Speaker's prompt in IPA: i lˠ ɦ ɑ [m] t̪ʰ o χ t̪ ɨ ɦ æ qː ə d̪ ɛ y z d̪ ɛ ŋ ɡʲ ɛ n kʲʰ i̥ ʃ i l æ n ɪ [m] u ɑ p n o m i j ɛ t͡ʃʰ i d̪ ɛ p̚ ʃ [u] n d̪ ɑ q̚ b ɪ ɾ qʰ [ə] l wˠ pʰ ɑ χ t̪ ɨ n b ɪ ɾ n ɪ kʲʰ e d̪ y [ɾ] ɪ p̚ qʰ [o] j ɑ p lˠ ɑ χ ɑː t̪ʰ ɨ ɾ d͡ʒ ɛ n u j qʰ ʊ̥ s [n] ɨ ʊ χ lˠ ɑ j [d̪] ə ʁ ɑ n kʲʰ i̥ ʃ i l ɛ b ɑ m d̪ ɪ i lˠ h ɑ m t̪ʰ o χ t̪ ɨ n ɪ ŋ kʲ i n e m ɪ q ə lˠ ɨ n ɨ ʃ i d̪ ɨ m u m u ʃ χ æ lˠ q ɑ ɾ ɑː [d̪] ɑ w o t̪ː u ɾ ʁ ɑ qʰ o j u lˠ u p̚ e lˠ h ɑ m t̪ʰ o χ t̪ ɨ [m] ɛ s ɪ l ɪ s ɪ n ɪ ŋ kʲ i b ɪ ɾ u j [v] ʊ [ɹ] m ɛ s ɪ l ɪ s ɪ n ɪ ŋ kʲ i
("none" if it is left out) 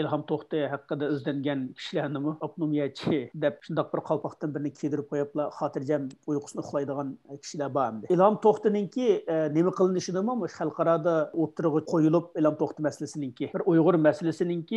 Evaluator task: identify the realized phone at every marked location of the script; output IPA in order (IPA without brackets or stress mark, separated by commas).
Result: m, m, u, ɑ, ɾ, o, n, d̪, d̪, m, ʁ, ɾ